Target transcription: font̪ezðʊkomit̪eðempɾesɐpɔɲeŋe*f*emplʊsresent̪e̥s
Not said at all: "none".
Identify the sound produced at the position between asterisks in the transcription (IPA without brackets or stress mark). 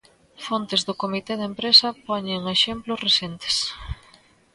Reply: ʃ